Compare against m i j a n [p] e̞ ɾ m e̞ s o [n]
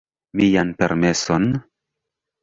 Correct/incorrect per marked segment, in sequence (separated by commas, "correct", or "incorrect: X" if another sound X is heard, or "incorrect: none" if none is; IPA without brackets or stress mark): correct, correct